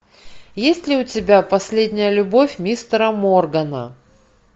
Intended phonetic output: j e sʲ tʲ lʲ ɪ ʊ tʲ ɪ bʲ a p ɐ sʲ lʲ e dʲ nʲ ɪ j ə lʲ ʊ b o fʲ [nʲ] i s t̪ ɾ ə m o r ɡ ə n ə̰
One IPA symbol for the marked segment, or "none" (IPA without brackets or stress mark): mʲ